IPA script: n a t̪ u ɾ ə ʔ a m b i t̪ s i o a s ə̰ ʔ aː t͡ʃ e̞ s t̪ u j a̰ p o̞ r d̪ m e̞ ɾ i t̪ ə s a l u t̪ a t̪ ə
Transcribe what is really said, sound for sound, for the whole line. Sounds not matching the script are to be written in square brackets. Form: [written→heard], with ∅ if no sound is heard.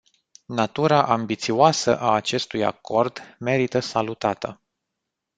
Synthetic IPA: n a t̪ u ɾ [ə→a] ʔ a m b i t̪ s i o a s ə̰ ʔ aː t͡ʃ e̞ s t̪ u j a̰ [p→k] o̞ r d̪ m e̞ ɾ i t̪ ə s a l u t̪ a t̪ ə